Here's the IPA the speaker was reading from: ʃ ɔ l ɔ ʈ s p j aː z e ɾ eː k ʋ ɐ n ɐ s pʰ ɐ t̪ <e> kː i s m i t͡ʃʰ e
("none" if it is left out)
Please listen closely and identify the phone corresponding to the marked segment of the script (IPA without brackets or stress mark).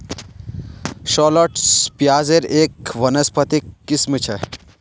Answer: i